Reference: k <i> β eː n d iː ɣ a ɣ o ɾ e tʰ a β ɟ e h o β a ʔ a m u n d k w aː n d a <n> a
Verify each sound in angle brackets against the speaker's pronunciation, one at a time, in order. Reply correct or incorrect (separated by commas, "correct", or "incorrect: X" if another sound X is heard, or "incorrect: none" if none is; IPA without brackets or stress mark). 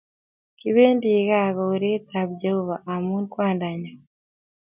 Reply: correct, incorrect: ɲ